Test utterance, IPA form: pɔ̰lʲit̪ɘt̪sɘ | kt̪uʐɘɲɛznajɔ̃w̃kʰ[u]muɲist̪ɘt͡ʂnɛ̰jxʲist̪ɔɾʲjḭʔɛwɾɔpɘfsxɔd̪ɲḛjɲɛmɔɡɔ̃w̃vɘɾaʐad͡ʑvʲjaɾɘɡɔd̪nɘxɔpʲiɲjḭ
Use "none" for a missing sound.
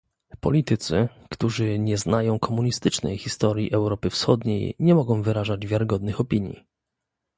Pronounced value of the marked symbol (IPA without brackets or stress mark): ɔ